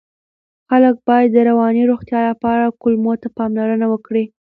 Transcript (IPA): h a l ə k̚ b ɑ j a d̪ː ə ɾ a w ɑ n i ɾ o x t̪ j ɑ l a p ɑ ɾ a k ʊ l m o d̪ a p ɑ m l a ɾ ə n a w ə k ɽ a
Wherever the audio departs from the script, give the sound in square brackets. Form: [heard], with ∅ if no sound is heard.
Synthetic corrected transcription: [x] a l ə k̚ b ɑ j a d̪ː ə ɾ a w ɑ n i ɾ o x t̪ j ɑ l a p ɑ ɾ a k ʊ l m o [t̪] a p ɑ m l a ɾ ə n a w ə k ɽ [i]